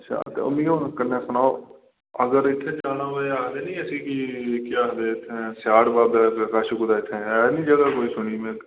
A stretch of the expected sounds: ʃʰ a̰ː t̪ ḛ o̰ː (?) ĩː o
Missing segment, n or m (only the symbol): m